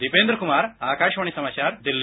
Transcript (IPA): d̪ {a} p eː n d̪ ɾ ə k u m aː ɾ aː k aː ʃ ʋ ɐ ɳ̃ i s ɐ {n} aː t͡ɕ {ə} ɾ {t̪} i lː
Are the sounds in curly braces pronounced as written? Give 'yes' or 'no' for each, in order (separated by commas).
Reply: no, no, no, no